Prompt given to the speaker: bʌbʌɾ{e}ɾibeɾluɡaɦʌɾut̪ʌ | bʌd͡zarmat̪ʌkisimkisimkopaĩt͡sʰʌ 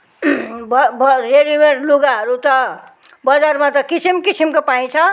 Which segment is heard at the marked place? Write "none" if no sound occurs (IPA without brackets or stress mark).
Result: e